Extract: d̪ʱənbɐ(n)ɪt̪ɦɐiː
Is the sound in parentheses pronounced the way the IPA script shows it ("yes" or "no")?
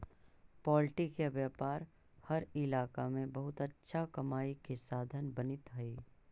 yes